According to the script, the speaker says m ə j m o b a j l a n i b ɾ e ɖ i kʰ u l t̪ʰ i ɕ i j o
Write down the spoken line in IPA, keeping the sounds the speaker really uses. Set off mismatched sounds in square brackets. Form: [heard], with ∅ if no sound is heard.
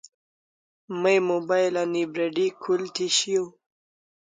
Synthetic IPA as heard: m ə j m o b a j l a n i b ɾ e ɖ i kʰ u l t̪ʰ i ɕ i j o